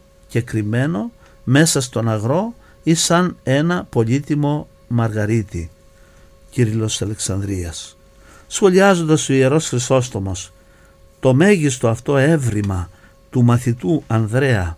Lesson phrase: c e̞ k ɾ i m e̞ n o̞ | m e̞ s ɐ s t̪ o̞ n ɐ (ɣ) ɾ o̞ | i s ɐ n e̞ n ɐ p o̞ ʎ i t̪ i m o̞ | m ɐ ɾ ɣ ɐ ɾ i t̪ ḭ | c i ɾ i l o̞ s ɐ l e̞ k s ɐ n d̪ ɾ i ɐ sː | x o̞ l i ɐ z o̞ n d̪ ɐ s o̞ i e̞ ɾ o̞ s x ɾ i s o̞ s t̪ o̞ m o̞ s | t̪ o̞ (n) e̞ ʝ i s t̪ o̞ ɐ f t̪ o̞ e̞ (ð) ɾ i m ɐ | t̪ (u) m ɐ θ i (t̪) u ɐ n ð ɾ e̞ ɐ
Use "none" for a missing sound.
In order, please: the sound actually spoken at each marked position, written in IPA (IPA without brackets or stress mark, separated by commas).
ɣ, m, v, u, t̪